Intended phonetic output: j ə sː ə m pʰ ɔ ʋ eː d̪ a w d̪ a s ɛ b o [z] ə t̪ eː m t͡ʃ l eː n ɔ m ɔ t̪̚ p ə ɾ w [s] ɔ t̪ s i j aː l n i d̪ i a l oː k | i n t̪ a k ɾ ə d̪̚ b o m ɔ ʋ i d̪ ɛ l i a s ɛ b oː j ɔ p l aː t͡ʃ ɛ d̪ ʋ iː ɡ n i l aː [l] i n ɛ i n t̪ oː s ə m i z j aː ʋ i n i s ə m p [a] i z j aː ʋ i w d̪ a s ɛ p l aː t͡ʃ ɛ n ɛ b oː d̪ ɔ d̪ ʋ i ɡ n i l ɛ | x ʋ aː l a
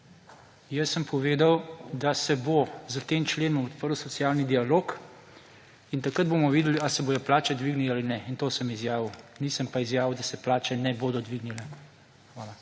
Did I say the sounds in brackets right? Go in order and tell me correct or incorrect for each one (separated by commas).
correct, correct, correct, correct